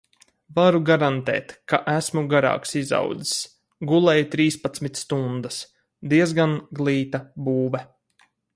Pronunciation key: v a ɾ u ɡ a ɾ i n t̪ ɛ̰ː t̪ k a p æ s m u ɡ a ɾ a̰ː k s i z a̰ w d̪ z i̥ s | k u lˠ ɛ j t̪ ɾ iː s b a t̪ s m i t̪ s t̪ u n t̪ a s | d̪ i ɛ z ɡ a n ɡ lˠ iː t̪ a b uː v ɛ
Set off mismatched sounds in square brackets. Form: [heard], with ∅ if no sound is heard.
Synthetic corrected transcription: v a ɾ u ɡ a ɾ [a] n t̪ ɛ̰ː t̪ k a [ʔ] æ s m u ɡ a ɾ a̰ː k s i z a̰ w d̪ z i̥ s | [ɡ] u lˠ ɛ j t̪ ɾ iː s [p] a t̪ s m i t̪ s t̪ u n [d̪] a s | d̪ i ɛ z ɡ a n ɡ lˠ iː t̪ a b uː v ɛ